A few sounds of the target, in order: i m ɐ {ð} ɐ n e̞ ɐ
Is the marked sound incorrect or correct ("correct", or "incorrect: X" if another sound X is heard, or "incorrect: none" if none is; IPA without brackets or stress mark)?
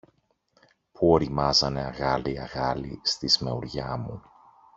incorrect: z